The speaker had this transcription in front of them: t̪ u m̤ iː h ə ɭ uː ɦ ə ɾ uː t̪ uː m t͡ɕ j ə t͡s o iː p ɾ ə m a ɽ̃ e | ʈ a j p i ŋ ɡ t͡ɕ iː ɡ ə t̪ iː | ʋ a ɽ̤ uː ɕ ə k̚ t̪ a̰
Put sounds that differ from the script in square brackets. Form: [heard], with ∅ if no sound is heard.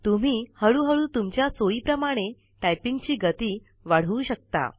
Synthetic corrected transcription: t̪ u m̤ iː h ə ɭ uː ɦ ə [ɭ] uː t̪ [u] m t͡ɕ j [a] t͡s o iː p ɾ ə m a ɽ̃ e | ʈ a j p i ŋ ɡ t͡ɕ iː ɡ ə t̪ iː | ʋ a ɽ̤ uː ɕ ə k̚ t̪ a̰